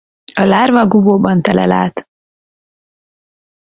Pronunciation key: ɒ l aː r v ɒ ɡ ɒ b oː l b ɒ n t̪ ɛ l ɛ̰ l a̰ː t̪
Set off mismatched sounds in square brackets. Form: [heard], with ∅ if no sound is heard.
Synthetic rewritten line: ɒ l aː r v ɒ ɡ [u] b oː [∅] b ɒ n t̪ ɛ l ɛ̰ l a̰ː t̪

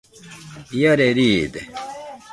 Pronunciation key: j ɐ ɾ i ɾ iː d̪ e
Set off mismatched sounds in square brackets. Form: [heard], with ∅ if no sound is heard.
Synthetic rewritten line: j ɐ ɾ [e] ɾ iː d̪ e

